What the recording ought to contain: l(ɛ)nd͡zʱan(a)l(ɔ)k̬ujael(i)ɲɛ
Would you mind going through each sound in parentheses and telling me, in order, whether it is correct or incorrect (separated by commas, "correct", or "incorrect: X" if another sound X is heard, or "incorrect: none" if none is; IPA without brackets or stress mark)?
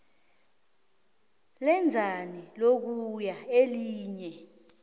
correct, incorrect: i, incorrect: o, incorrect: iː